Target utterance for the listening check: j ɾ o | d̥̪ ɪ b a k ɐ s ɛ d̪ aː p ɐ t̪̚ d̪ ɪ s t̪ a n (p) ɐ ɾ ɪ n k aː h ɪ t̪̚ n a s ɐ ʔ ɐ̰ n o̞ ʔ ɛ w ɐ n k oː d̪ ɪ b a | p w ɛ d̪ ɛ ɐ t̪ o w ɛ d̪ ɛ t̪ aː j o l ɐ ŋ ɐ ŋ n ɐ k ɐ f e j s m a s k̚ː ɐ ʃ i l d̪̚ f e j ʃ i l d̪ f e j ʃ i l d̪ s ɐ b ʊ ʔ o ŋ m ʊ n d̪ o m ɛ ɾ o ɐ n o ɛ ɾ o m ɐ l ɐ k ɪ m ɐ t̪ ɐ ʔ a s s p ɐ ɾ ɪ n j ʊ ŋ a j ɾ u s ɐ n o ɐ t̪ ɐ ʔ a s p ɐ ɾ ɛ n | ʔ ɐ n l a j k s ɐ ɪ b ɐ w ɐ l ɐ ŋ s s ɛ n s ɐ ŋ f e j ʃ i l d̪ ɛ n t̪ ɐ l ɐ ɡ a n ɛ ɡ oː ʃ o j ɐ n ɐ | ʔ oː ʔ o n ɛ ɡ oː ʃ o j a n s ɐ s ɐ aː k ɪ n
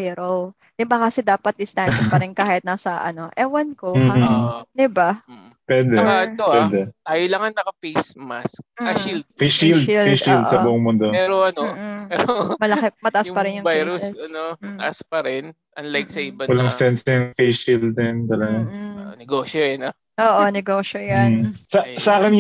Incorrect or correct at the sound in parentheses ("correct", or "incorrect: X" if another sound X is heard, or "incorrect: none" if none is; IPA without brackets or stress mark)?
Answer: correct